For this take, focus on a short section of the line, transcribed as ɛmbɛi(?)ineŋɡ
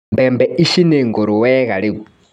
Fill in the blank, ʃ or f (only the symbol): ʃ